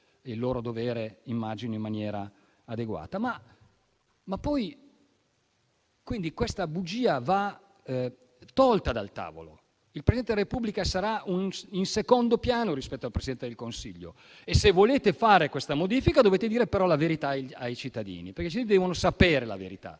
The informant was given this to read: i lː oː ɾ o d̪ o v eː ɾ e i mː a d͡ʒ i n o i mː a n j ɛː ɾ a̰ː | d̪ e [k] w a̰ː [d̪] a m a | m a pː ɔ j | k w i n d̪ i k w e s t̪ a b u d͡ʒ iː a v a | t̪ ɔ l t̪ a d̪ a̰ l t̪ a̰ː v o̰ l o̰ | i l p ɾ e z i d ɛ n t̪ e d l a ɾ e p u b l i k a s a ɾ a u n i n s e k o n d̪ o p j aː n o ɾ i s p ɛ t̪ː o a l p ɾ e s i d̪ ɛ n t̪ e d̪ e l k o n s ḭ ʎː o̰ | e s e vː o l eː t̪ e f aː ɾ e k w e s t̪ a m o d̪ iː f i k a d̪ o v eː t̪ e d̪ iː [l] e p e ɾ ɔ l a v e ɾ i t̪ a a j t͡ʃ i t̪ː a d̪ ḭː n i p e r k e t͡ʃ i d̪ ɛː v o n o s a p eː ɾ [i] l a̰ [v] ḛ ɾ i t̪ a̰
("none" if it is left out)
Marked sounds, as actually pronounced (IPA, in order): ɡ, t̪, ɾ, e, v

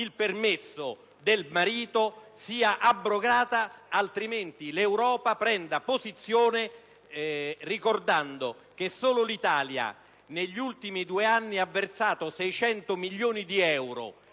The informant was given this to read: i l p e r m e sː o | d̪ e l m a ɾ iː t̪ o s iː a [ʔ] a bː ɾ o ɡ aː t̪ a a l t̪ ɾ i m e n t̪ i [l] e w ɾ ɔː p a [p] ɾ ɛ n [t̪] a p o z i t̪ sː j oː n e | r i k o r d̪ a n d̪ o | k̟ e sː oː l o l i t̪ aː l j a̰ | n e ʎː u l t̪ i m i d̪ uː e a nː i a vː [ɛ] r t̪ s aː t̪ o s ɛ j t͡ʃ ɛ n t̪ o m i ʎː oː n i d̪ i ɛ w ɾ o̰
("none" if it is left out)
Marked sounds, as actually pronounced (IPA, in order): ʔ, l, p, d̪, e

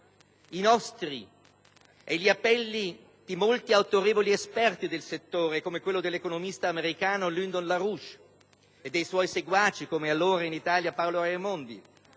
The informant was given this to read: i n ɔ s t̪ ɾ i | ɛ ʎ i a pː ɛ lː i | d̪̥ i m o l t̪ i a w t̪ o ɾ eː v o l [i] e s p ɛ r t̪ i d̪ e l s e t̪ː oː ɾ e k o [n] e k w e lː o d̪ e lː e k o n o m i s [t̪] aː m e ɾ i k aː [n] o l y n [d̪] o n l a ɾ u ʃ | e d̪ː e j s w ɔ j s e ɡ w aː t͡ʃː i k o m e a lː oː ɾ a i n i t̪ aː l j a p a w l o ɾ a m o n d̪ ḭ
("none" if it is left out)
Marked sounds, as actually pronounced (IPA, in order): i, m, t̪, n, d̪

